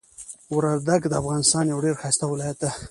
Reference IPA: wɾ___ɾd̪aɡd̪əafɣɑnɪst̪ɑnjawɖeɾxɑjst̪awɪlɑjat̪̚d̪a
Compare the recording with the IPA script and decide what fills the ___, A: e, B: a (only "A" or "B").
B